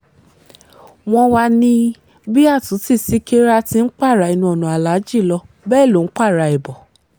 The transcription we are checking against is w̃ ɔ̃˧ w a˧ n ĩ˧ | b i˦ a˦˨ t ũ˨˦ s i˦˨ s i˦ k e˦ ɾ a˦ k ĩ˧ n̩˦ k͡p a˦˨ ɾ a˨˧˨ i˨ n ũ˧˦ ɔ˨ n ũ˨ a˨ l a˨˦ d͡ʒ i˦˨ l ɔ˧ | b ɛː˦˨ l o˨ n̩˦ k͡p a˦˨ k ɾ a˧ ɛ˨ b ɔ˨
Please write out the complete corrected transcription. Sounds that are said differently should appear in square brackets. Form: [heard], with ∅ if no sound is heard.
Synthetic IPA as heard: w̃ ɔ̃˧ w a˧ n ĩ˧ | b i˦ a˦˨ t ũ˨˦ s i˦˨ s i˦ k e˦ ɾ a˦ [t] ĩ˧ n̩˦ k͡p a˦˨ ɾ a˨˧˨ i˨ n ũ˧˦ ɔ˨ n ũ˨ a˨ l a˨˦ d͡ʒ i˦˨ l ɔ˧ | b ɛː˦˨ l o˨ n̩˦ k͡p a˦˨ [∅] ɾ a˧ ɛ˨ b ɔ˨